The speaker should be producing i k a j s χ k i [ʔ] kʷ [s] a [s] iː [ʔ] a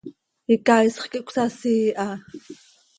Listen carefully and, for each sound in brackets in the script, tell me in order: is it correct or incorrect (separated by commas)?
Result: correct, correct, correct, correct